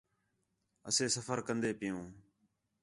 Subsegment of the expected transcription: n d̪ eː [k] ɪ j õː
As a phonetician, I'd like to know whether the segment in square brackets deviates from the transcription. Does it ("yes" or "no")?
yes